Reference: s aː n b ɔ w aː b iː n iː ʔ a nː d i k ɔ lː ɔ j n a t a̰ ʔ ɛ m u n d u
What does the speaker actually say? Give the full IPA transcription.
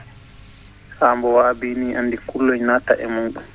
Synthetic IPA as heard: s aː m b ɔ w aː b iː n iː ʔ a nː d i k u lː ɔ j n a t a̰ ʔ ɛ m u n ɗ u